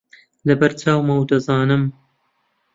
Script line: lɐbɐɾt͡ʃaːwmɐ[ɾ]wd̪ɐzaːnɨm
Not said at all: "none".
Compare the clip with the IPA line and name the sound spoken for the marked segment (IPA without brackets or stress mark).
none